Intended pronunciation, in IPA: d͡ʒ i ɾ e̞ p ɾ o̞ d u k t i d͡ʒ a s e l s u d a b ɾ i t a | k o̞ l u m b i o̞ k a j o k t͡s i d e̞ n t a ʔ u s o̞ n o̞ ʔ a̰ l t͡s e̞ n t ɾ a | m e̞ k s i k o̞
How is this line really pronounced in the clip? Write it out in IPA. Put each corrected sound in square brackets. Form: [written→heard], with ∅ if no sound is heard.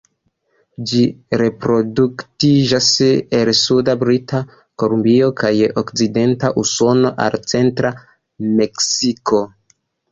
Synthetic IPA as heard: d͡ʒ i ɾ e̞ p ɾ o̞ d u k t i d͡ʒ a s e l s u d a b ɾ i t a | k o̞ l u m b i o̞ k a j o k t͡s i d e̞ n t a ʔ u s o̞ n o̞ ʔ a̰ l t͡s e̞ n t ɾ a | m e̞ k s i k o̞